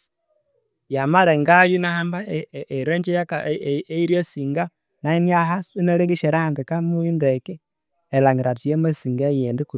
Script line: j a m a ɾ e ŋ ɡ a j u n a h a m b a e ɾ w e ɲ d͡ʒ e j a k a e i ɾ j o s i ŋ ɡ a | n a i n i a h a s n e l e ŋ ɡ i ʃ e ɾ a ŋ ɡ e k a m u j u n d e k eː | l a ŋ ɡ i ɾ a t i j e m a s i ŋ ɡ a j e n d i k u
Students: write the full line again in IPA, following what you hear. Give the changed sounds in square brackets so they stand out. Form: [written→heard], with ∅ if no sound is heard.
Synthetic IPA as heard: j a m a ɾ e ŋ ɡ a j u n a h a m b a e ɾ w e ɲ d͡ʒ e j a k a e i ɾ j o s i ŋ ɡ a | n a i n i a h a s n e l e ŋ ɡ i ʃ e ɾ a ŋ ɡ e k a m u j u n d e k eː | l a ŋ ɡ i ɾ a t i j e m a s i ŋ ɡ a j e n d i k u